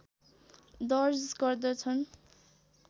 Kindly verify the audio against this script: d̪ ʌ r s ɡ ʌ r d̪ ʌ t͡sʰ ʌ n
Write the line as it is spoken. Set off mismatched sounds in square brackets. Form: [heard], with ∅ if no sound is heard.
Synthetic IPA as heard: d̪ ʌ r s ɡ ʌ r d̪ ʌ t͡sʰ ʌ n